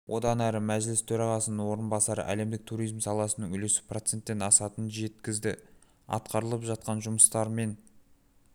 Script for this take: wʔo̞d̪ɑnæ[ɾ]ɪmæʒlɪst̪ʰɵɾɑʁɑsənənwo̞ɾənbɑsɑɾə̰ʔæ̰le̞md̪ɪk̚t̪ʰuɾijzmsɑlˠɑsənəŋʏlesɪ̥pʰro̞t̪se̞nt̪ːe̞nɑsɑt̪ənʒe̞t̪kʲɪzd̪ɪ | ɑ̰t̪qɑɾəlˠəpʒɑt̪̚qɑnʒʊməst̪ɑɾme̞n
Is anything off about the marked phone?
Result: no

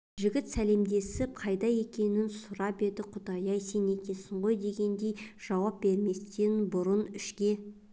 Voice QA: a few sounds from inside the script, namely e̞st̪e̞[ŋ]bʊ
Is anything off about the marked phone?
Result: yes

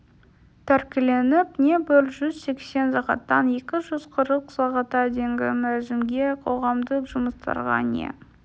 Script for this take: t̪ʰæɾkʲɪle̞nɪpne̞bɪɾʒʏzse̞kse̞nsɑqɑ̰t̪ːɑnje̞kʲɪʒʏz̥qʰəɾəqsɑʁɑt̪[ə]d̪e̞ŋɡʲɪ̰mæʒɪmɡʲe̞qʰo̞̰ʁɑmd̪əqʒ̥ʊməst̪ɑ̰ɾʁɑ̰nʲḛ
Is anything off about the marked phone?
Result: yes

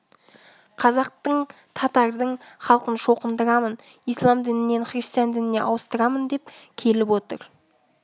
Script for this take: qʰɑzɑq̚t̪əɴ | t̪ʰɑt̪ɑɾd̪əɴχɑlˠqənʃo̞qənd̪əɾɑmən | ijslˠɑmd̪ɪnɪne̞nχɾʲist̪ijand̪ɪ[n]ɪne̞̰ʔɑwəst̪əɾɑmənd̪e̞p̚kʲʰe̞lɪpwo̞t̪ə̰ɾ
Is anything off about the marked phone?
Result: no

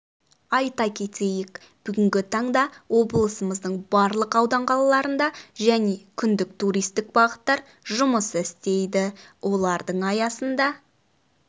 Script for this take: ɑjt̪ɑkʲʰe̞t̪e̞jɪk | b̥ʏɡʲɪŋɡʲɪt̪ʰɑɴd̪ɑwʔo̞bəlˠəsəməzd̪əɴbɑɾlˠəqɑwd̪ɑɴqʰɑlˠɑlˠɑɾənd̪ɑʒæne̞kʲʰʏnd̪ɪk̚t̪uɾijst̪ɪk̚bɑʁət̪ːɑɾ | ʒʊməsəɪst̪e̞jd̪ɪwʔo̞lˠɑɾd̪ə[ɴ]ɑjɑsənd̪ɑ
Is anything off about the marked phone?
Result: no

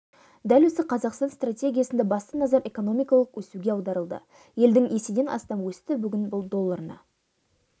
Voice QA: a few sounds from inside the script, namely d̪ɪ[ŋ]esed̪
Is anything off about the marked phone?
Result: no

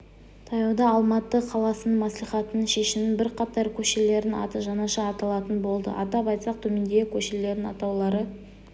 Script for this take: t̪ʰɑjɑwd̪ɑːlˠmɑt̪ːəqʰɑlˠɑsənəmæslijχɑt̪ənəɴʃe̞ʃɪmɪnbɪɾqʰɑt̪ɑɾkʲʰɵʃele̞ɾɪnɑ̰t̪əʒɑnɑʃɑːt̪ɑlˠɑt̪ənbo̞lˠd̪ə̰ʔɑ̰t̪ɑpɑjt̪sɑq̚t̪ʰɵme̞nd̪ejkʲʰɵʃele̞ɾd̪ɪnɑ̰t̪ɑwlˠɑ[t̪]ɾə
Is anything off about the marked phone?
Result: yes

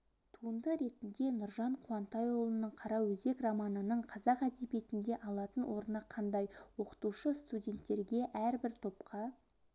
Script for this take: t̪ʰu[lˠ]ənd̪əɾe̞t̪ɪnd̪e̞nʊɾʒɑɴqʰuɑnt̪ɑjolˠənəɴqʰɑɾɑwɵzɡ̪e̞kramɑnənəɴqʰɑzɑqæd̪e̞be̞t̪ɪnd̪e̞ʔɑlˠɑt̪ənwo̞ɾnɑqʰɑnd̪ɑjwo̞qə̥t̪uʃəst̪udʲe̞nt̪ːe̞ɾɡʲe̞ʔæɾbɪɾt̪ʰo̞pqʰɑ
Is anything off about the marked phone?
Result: yes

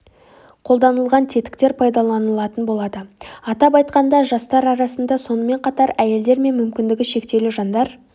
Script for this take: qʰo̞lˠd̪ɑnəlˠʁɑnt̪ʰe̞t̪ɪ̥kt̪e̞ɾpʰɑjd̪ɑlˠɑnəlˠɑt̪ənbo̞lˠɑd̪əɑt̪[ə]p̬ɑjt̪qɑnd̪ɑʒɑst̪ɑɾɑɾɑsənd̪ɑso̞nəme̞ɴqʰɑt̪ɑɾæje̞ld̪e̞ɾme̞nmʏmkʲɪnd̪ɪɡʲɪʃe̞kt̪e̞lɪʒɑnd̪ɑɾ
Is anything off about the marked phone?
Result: yes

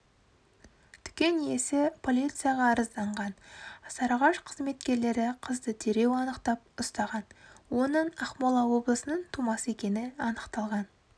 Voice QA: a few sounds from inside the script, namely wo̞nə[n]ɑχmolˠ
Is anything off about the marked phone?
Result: yes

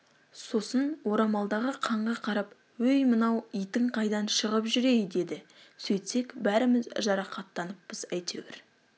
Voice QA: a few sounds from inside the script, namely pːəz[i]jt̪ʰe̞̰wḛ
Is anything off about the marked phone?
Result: yes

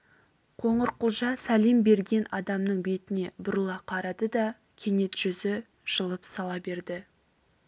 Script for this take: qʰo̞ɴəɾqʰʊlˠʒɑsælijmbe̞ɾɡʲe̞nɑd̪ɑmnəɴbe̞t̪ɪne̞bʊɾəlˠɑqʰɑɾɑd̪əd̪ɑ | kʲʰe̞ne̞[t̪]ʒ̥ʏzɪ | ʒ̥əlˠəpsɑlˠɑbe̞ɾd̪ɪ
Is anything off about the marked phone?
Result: no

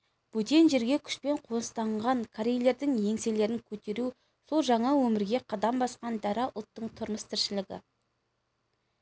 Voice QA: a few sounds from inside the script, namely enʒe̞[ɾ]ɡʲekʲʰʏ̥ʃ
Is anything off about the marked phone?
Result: no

